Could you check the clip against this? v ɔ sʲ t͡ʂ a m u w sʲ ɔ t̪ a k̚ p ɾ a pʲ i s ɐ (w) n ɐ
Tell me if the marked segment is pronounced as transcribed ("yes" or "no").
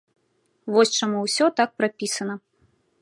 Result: no